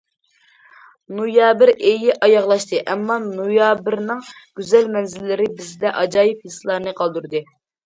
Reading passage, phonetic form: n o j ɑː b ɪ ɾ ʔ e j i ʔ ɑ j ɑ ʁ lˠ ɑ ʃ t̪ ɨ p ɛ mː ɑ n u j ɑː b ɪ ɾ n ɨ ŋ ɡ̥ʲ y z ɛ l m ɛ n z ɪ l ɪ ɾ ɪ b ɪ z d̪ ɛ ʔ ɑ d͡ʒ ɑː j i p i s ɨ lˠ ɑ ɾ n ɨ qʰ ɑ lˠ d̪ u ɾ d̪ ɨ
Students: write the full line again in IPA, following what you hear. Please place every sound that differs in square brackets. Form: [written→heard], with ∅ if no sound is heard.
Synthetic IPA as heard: n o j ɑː b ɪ ɾ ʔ e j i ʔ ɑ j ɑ ʁ lˠ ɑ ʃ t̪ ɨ [p→ʔ] ɛ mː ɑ n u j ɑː b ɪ ɾ n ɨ ŋ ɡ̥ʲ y z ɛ l m ɛ n z ɪ [l→lː] ɪ ɾ ɪ b ɪ z d̪ ɛ ʔ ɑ d͡ʒ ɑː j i p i s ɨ lˠ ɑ ɾ n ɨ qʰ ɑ lˠ d̪ u ɾ d̪ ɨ